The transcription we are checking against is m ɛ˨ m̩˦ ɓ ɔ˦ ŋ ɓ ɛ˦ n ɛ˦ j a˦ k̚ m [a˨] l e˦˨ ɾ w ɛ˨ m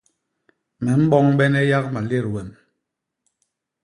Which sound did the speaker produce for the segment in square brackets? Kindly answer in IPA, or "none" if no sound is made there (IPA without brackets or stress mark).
a˨